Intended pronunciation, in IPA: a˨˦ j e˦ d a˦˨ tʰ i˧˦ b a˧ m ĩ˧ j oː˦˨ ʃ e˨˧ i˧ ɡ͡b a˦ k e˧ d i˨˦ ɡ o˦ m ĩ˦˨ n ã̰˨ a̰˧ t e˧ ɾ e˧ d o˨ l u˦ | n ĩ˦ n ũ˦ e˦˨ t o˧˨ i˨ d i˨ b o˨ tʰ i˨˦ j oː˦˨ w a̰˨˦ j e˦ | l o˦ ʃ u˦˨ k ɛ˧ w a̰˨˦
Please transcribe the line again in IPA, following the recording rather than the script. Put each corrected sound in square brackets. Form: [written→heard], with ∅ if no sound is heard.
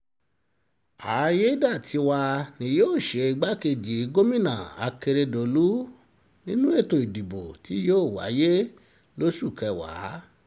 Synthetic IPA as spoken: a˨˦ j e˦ d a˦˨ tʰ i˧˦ [b→w] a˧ [m→n] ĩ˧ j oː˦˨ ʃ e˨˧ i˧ ɡ͡b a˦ k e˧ [d→d͡ʒ] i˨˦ ɡ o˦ m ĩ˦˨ n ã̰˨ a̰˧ [t→k] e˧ ɾ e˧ d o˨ l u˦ | n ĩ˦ n ũ˦ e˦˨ t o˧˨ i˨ d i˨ b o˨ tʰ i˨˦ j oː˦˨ w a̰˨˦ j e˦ | l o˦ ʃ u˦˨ k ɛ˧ w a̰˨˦